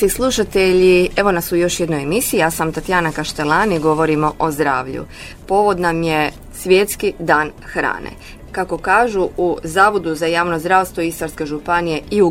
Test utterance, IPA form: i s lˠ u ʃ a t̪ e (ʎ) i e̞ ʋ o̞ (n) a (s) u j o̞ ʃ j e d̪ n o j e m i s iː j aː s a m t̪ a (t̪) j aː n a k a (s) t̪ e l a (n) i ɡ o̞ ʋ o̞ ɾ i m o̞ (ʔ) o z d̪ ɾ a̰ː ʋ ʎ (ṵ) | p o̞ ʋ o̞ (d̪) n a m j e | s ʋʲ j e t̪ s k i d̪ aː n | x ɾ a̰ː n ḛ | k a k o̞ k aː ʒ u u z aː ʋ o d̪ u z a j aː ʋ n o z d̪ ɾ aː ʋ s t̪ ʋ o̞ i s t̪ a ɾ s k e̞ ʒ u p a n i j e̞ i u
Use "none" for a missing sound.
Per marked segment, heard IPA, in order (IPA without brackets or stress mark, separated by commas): ʎ, n, s, t̪, ʃ, n, ʔ, ṵ, d̪